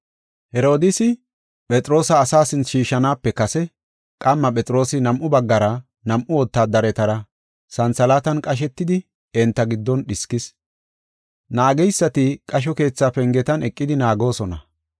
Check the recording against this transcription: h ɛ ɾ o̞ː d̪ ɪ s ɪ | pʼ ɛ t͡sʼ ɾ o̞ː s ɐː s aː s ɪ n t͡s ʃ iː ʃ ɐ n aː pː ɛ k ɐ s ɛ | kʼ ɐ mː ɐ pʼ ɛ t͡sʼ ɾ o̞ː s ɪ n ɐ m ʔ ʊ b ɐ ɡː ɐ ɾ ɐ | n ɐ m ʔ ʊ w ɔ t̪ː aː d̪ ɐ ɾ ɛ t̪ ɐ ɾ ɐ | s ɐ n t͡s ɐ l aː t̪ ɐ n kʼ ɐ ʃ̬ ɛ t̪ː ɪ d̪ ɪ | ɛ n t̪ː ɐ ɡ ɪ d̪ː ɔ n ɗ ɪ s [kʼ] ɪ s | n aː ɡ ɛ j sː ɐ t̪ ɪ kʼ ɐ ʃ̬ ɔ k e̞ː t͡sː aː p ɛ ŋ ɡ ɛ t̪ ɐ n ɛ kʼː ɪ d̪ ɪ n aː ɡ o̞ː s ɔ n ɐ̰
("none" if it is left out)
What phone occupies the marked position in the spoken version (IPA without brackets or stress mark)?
k